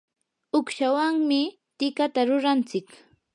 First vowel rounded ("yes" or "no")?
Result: yes